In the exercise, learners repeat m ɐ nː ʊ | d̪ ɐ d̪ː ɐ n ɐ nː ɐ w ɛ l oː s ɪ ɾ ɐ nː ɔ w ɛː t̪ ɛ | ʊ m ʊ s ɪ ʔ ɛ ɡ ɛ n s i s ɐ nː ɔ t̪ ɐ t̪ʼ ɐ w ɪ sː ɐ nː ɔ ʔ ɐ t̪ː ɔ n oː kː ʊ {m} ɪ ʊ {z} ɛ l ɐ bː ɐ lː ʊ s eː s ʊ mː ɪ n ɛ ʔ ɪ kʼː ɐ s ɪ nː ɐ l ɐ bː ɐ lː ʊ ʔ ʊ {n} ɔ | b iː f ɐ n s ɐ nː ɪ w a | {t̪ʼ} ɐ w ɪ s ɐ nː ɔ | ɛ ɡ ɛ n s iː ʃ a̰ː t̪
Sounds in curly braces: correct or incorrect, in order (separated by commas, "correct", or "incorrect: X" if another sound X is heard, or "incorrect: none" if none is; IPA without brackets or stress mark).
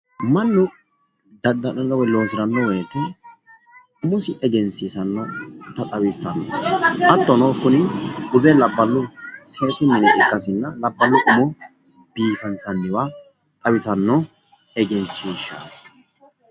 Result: incorrect: n, correct, incorrect: m, correct